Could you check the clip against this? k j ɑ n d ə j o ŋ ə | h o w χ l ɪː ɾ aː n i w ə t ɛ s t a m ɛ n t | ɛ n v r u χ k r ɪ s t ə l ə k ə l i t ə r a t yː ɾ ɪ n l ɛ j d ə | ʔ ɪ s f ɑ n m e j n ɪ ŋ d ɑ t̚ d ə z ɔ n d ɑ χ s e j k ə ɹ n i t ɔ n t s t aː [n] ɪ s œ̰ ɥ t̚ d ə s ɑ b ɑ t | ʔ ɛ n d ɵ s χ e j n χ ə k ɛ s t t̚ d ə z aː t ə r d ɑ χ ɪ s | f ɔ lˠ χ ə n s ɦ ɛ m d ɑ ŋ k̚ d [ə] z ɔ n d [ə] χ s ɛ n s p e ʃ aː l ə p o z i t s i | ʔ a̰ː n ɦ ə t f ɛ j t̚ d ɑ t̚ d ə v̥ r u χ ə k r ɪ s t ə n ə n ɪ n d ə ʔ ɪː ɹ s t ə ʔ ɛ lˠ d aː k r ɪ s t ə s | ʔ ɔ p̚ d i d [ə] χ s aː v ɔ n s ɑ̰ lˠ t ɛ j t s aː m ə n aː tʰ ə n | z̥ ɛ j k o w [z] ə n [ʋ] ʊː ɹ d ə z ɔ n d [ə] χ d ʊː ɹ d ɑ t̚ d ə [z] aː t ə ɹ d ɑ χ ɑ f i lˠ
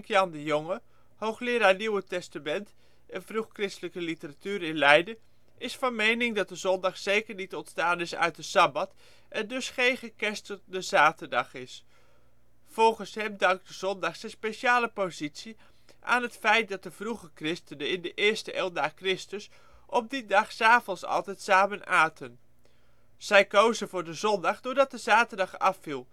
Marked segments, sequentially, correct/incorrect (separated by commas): correct, correct, incorrect, incorrect, correct, incorrect, incorrect, correct